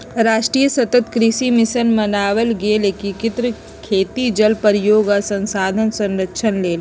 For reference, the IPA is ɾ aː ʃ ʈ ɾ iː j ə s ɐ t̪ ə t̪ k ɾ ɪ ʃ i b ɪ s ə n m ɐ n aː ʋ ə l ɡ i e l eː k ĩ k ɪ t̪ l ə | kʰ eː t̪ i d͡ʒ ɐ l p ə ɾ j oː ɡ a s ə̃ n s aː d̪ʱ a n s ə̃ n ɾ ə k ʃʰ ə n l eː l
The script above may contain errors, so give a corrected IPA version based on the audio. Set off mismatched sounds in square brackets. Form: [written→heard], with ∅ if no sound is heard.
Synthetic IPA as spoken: ɾ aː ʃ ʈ ɾ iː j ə s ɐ t̪ ə t̪ k ɾ ɪ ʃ i [b→m] ɪ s ə n m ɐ n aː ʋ ə l ɡ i e l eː k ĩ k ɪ t̪ [l→ɾ] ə | kʰ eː t̪ i d͡ʒ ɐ l p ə ɾ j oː ɡ a s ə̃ n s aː d̪ʱ [a→ə] n s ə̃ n ɾ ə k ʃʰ ə n l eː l

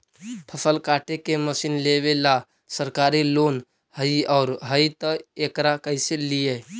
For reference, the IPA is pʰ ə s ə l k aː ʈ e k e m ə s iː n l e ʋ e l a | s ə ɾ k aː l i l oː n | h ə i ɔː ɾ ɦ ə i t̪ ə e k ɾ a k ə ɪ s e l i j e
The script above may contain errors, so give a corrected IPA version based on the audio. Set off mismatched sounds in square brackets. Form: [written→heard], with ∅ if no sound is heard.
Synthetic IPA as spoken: pʰ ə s ə l k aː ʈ e k e m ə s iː n l e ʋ e l a | s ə ɾ k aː [l→ɾ] i l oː n | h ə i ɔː ɾ ɦ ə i t̪ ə e k ɾ a k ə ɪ s e l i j e

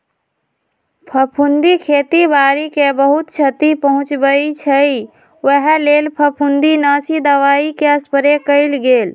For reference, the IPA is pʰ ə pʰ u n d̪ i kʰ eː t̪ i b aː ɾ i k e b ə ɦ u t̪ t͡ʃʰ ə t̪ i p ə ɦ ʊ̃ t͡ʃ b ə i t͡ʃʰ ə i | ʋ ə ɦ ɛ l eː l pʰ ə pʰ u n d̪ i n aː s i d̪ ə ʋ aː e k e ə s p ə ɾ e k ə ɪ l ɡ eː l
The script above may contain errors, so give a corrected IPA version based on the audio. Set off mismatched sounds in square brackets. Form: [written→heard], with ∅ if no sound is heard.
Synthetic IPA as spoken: pʰ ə pʰ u n d̪ i kʰ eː t̪ i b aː ɾ i k e b ə ɦ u t̪ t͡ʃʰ ə t̪ i p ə ɦ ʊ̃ t͡ʃ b ə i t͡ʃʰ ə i | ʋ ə ɦ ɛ l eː l pʰ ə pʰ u n d̪ i n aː s i d̪ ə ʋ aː [e→i] k e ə s p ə ɾ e k ə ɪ l ɡ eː l

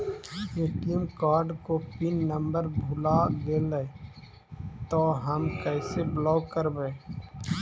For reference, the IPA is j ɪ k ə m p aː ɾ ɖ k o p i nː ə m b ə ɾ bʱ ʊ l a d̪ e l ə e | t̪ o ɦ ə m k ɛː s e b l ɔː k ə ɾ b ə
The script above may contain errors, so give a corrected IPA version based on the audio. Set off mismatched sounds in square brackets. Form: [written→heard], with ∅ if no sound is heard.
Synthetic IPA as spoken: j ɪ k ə m [p→k] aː ɾ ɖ k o p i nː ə m b ə ɾ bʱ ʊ l a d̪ e l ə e | t̪ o ɦ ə m k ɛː s e b l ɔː k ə ɾ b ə

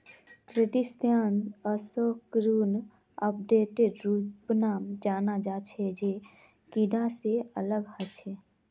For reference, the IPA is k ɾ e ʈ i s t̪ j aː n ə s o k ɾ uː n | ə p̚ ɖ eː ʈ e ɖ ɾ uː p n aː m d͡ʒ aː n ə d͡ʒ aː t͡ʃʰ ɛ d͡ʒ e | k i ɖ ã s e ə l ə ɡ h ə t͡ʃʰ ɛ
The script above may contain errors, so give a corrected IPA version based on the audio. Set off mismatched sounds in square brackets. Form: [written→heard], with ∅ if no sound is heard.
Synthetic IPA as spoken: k ɾ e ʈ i s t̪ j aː n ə s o k ɾ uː n | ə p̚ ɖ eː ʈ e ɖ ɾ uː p n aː m d͡ʒ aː n [ə→a] d͡ʒ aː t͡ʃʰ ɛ d͡ʒ e | k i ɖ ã s e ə l ə ɡ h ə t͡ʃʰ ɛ

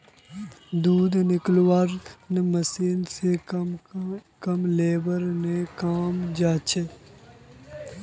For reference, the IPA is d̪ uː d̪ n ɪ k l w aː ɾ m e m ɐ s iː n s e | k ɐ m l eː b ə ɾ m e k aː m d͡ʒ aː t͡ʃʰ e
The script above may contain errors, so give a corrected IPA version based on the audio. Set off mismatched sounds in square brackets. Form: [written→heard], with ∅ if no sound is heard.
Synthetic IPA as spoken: d̪ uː d̪ n ɪ k l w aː ɾ [m→n] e m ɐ s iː n s e | k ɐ m l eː b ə ɾ [m→n] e k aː m d͡ʒ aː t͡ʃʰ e

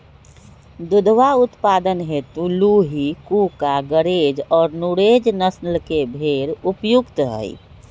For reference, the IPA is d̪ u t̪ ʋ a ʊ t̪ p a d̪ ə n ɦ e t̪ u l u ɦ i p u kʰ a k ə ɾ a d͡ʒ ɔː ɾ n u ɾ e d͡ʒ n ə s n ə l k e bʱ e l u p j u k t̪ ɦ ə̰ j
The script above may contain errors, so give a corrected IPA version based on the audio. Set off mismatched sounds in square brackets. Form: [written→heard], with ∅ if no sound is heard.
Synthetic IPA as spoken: d̪ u [t̪→d̪] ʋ a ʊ t̪ p a d̪ ə n ɦ e t̪ u l u ɦ i [p→k] u [kʰ→k] a [k→ɡ] ə ɾ [a→e] d͡ʒ ɔː ɾ n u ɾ e d͡ʒ n ə s n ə l k e bʱ e [l→ɾ] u p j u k t̪ ɦ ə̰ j

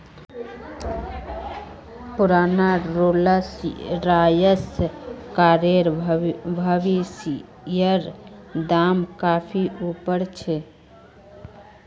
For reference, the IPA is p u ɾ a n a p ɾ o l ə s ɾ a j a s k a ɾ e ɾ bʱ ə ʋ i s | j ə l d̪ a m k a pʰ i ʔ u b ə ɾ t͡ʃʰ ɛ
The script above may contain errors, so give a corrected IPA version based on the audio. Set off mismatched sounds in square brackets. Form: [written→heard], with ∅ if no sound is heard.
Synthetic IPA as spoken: p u ɾ a n a [p→∅] ɾ o l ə s ɾ a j [a→ə] s k a ɾ e ɾ bʱ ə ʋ i s | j ə [l→ɾ] d̪ a m k a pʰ i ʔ u [b→p] ə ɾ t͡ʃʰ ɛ

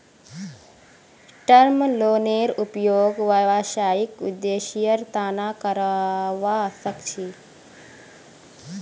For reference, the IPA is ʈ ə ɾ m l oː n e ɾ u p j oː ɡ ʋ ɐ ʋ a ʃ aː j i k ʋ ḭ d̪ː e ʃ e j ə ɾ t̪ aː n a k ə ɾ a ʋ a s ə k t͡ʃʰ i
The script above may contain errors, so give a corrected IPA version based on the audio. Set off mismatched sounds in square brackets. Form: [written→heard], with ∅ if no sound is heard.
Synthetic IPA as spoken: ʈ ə ɾ m l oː n e ɾ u p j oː ɡ ʋ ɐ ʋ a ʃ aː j i k ʋ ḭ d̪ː e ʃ [e→i] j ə ɾ t̪ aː n a k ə ɾ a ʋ a s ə k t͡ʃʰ i

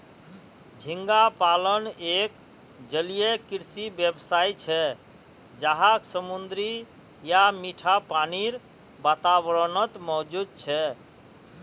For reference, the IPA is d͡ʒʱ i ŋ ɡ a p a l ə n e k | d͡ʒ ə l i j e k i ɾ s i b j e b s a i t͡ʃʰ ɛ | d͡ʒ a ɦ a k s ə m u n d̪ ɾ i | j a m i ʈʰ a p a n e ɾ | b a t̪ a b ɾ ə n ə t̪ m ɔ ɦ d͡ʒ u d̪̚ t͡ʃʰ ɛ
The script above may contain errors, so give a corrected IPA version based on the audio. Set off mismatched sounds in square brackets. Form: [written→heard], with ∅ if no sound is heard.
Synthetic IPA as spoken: d͡ʒʱ i ŋ ɡ a p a l ə n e k | d͡ʒ ə l i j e k i ɾ s i b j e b s a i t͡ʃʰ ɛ | d͡ʒ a ɦ a k s ə m u n d̪ ɾ i | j a m i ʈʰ a p a n [e→i] ɾ | b a t̪ a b ɾ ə n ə t̪ m ɔ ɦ d͡ʒ u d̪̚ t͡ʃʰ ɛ

